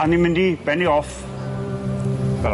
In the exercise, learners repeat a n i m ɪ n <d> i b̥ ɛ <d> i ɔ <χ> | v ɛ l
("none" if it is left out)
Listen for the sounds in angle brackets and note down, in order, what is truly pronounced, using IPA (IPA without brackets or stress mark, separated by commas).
d, n, f